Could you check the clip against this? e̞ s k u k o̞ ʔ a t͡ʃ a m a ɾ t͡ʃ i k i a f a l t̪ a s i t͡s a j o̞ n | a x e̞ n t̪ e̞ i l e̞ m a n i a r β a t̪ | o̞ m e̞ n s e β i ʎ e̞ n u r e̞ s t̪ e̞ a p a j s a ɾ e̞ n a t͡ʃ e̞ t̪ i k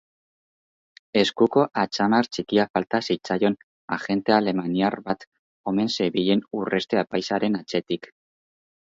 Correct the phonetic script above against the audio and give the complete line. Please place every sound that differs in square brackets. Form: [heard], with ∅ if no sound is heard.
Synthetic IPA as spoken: e̞ s k u k o̞ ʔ a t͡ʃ a m a ɾ t͡ʃ i k i a f a l t̪ a s i t͡s a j o̞ n | a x e̞ n t̪ e̞ [a] l e̞ m a n i a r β a t̪ | o̞ m e̞ n s e β i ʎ e̞ n u r e̞ s t̪ e̞ a p a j s a ɾ e̞ n a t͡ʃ e̞ t̪ i k